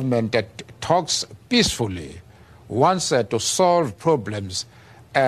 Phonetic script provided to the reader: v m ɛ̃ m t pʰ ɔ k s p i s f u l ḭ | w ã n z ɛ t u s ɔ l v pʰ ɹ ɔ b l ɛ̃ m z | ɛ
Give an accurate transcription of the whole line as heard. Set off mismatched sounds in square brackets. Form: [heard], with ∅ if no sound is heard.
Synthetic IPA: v m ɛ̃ [n] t [tʰ] ɔ k s p i s f u l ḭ | w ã n [s] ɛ t u s ɔ l v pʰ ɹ ɔ b l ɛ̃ m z | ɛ